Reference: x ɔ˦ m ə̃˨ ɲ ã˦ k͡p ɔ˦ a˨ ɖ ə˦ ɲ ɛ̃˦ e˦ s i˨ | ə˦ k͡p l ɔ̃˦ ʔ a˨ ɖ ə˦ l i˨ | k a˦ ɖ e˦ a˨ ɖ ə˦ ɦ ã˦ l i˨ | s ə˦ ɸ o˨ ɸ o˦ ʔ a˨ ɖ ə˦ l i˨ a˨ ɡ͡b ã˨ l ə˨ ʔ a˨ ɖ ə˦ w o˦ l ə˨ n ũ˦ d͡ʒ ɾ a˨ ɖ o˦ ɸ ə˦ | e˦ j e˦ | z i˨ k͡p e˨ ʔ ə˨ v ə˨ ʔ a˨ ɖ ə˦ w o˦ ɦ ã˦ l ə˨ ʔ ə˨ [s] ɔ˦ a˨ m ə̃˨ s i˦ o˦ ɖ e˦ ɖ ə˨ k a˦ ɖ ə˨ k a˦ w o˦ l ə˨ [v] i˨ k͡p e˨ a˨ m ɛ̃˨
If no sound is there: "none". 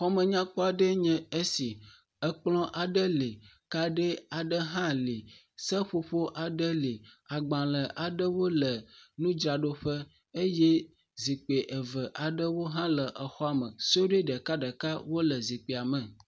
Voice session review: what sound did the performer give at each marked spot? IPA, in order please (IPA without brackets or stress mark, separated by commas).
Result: x, z